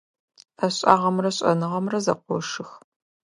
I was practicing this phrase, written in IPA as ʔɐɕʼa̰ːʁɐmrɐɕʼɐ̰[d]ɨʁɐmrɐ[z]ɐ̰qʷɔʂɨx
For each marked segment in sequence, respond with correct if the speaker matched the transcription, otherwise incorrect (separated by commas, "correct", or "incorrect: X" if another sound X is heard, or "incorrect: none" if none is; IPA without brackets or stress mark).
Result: incorrect: n, correct